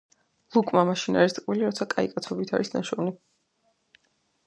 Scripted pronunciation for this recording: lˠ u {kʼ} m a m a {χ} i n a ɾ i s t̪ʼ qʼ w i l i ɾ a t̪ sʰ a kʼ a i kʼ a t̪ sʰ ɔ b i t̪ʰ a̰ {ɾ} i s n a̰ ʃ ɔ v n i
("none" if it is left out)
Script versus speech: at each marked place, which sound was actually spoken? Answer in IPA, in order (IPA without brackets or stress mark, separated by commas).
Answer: kʼ, ʃ, ɾ